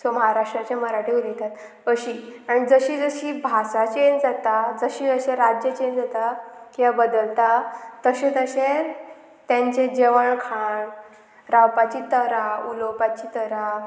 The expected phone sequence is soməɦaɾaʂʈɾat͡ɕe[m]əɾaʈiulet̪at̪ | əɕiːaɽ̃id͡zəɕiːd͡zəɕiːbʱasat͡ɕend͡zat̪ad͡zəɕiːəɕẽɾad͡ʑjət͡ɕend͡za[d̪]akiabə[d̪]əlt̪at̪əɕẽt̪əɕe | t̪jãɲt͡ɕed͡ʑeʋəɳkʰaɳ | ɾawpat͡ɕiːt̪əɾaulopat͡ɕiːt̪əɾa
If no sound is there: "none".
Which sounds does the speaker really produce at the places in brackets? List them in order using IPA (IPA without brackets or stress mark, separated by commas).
m, t̪, d̪